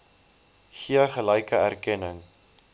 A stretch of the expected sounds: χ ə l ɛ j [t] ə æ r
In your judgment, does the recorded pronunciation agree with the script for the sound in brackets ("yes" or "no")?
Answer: no